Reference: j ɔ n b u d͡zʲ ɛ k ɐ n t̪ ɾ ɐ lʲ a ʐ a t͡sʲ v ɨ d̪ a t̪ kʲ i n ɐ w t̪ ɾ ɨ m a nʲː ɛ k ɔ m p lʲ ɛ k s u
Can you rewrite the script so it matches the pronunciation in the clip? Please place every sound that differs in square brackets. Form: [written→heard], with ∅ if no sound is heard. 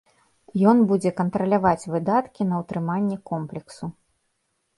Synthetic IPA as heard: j ɔ n b u d͡zʲ ɛ k ɐ n t̪ ɾ ɐ lʲ a [ʐ→v] a t͡sʲ v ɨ d̪ a t̪ kʲ i n ɐ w t̪ ɾ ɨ m a nʲː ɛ k ɔ m p lʲ ɛ k s u